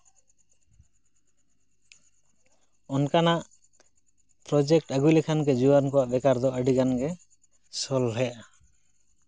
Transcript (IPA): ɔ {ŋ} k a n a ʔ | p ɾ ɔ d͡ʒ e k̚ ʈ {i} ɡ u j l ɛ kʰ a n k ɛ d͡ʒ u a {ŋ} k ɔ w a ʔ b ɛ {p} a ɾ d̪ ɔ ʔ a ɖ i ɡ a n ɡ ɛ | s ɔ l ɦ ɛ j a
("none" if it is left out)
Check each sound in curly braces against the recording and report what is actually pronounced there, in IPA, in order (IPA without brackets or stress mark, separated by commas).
n, a, n, k